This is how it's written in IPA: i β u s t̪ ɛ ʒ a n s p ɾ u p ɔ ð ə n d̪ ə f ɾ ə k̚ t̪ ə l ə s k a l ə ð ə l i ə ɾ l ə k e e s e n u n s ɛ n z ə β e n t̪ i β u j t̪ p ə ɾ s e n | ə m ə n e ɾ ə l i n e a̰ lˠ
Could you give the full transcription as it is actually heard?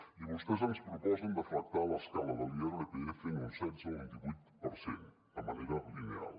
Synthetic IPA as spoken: i β u s t̪ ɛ z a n s p ɾ u p ɔ z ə n d̪ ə f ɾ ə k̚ t̪ a l ə s k a l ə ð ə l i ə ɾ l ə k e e f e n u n s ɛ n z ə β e n t̪ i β u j t̪ p ə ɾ s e n | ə m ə n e ɾ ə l i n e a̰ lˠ